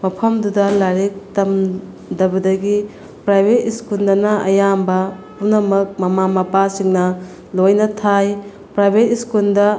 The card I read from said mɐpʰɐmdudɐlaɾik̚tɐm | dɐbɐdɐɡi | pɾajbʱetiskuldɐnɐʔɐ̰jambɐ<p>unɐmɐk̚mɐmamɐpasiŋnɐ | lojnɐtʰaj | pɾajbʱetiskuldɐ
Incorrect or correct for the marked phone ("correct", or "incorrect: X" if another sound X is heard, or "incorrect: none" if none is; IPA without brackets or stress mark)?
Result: correct